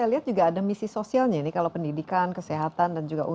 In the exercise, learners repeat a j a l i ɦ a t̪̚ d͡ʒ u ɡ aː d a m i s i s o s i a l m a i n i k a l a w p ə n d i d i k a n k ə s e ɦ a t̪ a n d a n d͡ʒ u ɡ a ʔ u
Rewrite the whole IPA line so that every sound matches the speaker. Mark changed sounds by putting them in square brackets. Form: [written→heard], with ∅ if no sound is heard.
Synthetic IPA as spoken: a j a l i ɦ a t̪̚ d͡ʒ u ɡ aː d a m i s i s o s i a l [m→ɲ] a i n i k a l a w p ə n d i d i k a n k ə s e ɦ a t̪ a n d a n d͡ʒ u ɡ a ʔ u